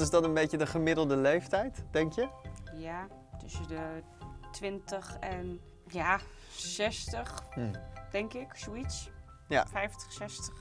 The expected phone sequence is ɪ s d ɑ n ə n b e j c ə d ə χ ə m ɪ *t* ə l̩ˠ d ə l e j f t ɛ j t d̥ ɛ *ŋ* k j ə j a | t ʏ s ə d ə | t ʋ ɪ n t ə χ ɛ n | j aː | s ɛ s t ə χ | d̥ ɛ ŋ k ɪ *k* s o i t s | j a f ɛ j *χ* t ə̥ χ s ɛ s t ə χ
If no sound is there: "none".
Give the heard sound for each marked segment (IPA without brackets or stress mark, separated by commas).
d, ŋ, k, f